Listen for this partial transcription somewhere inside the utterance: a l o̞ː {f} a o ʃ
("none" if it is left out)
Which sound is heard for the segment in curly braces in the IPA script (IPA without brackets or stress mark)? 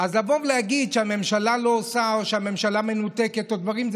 s